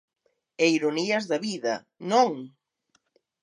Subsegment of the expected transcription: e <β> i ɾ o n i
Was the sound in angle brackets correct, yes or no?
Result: no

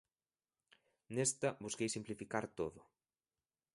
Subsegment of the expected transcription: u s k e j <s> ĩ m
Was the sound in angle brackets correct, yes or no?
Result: yes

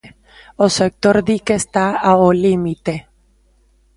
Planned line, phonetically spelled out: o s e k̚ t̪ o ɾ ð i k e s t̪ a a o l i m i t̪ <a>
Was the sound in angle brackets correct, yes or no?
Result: no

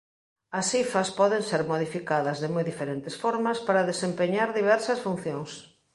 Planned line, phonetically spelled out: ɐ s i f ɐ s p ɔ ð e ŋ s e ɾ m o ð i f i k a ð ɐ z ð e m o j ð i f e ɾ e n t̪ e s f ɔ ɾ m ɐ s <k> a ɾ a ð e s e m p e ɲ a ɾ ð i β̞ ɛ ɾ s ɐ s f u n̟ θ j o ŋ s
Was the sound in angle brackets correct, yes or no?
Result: no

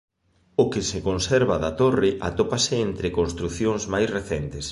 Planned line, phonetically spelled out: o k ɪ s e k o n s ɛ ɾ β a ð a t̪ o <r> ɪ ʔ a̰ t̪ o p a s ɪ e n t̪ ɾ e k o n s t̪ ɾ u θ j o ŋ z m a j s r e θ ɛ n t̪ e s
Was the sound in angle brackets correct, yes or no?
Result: yes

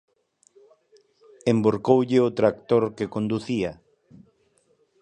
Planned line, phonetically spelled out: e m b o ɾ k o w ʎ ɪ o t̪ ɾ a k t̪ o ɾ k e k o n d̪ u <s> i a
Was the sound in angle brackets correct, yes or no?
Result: no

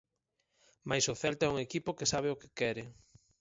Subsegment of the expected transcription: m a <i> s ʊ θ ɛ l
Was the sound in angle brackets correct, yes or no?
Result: no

